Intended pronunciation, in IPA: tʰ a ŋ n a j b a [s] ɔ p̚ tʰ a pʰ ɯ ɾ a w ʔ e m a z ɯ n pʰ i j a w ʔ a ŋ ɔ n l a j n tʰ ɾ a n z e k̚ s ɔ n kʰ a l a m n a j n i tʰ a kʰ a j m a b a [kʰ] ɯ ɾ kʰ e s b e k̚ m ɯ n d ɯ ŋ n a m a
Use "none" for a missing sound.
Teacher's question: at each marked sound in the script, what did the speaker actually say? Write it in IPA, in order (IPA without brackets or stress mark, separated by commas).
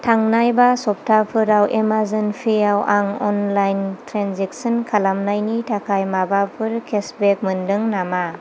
s, pʰ